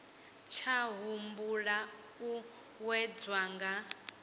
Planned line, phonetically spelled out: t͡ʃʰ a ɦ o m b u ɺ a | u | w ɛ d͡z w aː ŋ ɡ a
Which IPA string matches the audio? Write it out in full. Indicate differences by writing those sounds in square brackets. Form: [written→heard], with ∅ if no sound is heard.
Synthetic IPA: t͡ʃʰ a ɦ [o→u] m b u ɺ a | u | w ɛ d͡z w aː ŋ ɡ a